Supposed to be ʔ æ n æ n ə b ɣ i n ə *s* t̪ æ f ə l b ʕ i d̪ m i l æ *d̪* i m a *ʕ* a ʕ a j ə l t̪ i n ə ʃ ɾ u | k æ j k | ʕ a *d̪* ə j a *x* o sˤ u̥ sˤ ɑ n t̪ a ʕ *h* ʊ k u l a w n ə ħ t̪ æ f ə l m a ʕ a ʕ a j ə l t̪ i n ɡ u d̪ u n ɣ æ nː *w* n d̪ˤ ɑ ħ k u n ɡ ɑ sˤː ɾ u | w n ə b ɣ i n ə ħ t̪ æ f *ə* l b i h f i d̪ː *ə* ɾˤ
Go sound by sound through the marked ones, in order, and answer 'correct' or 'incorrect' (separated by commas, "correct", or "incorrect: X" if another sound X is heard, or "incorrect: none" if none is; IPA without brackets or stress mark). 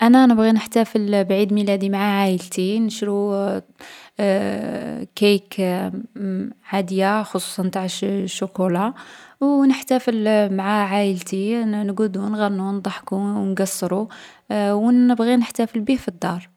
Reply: incorrect: ħ, correct, correct, correct, correct, incorrect: ʃ, incorrect: u, correct, incorrect: ɑ